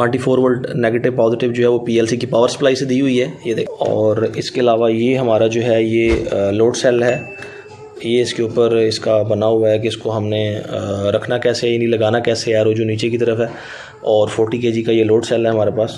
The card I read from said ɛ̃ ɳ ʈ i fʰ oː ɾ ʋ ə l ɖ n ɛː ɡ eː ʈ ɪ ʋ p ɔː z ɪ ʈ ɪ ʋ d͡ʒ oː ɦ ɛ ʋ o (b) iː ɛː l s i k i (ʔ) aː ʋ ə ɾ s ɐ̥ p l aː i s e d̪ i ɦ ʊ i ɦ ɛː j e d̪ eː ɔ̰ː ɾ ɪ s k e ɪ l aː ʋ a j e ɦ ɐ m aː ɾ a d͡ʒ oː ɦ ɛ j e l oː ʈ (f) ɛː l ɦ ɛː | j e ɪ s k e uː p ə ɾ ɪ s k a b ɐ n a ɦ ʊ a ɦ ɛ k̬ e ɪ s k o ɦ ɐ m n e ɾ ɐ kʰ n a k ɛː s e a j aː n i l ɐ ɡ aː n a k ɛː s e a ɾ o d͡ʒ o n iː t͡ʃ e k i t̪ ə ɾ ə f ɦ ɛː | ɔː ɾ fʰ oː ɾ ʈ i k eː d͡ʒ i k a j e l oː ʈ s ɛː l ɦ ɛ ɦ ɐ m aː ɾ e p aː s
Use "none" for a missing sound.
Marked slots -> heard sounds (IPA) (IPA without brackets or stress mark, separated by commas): p, p, s